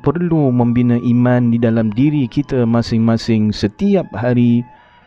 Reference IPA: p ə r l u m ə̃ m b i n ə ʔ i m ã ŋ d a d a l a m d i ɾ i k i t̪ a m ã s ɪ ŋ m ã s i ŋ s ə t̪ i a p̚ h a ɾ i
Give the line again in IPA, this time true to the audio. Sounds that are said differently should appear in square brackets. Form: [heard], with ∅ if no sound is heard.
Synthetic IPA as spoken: p ə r l u m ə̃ m b i n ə ʔ i m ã [n] d [i] d a l a m d i ɾ i k i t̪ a m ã s ɪ ŋ m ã s [ɪ] ŋ s ə t̪ i a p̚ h a ɾ i